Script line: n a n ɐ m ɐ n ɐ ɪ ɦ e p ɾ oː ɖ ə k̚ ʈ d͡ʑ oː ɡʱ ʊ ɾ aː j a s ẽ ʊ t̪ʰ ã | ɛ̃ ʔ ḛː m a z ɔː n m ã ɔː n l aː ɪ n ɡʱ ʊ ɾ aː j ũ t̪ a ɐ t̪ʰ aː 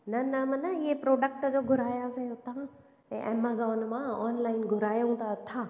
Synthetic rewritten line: n ɐ n ɐ m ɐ n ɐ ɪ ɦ e p ɾ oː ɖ ə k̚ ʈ d͡ʑ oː ɡʱ ʊ ɾ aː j a s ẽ ʊ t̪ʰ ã | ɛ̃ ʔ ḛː m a z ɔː n m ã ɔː n l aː ɪ n ɡʱ ʊ ɾ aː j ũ t̪ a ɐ t̪ʰ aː